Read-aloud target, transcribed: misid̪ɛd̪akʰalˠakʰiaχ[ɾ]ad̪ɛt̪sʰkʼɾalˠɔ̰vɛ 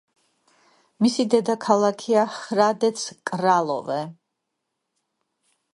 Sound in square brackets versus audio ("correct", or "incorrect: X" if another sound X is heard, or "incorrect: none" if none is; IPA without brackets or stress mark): correct